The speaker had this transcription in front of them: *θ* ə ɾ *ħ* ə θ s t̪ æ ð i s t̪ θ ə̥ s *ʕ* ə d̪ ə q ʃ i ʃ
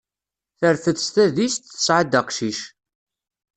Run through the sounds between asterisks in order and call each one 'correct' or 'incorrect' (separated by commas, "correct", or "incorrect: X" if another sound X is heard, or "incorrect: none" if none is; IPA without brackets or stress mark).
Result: correct, incorrect: θ, correct